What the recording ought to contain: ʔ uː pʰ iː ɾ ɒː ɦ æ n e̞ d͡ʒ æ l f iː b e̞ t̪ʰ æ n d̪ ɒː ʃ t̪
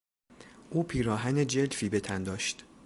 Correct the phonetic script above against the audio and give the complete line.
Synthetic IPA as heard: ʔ uː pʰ iː ɾ ɒː ɦ æ n e̞ d͡ʒ e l f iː b e̞ t̪ʰ æ n d̪ ɒː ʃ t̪